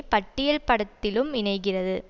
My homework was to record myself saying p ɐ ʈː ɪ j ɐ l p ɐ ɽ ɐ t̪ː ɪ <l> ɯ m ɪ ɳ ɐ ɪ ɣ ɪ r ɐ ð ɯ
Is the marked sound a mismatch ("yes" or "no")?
no